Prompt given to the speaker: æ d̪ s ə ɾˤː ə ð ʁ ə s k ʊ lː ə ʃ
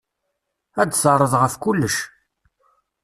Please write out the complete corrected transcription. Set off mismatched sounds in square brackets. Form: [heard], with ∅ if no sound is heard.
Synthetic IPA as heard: æ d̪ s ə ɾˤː ə ð ʁ ə [f] k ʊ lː ə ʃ